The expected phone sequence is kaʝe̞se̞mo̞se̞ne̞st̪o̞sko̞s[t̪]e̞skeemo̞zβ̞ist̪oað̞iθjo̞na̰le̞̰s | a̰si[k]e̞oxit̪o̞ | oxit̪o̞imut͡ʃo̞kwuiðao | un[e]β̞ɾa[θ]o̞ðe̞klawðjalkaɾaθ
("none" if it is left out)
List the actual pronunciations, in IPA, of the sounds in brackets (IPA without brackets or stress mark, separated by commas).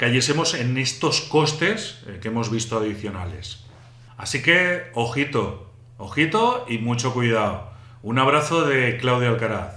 t̪, k, a, θ